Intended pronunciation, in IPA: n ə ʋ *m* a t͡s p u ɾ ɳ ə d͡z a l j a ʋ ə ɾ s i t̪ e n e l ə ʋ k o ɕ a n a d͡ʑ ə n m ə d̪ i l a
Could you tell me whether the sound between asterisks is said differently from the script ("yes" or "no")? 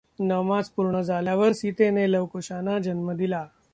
no